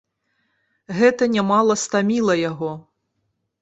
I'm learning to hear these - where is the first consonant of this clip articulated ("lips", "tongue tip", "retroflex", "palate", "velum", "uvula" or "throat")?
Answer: velum